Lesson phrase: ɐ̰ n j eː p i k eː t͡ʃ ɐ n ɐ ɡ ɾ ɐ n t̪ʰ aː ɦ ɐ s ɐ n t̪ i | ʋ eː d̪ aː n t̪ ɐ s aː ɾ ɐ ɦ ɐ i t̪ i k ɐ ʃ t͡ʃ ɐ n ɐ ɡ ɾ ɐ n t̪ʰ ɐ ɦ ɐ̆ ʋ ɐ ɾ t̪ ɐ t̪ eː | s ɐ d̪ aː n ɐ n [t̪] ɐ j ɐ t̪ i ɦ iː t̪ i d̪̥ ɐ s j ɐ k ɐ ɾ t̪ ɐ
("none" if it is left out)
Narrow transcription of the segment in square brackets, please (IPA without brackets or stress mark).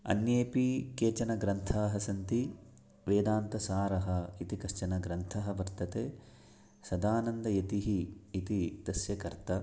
d̪